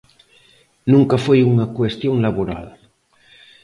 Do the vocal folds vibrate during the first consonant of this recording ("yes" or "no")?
yes